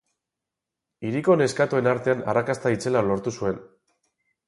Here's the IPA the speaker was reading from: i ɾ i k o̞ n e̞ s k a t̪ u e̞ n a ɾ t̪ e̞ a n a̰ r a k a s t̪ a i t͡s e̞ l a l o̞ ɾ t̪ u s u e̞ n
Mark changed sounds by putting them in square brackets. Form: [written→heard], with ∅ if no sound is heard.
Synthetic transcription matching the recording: i ɾ i k o̞ n e̞ s k a t̪ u e̞ n a ɾ t̪ e̞ a n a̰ r a k a s t̪ a i t͡s e̞ l a l o̞ ɾ t̪ u s u e̞ n